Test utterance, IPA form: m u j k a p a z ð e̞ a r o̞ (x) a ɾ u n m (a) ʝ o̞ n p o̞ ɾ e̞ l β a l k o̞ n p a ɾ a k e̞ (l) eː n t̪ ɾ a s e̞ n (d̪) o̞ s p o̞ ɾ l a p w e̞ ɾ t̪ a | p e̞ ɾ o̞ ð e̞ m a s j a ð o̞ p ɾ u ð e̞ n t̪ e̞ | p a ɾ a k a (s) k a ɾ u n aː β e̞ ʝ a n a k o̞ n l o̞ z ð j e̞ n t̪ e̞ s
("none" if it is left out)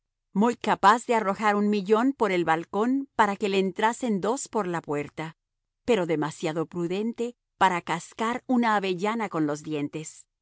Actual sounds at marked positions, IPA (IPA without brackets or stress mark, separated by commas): x, i, l, d̪, s